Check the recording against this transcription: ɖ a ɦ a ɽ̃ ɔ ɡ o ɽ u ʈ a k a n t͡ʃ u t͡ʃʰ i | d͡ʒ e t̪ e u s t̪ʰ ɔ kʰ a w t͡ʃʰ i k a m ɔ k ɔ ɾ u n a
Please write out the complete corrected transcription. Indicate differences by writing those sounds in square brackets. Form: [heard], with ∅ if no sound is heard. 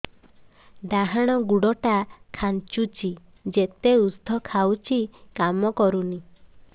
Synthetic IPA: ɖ a ɦ a ɽ̃ ɔ ɡ [u] ɽ [ɔ] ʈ a [kʰ] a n t͡ʃ u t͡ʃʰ i | d͡ʒ e t̪ e u s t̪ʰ ɔ kʰ a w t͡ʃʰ i k a m ɔ k ɔ ɾ u n [i]